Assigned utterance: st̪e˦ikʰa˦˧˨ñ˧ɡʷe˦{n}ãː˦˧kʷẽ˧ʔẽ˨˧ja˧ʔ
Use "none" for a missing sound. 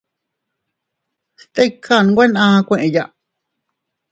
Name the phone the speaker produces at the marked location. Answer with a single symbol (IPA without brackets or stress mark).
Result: n